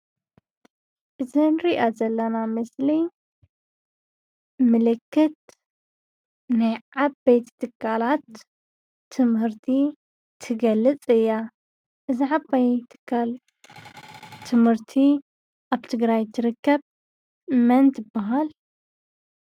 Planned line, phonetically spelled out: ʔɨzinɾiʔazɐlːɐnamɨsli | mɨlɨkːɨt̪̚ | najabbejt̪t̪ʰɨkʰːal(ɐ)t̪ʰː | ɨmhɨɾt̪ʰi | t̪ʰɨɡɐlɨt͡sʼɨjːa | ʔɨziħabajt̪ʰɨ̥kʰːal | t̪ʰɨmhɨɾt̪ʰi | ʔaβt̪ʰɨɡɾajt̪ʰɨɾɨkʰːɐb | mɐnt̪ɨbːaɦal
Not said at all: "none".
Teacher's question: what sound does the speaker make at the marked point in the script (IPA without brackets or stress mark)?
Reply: a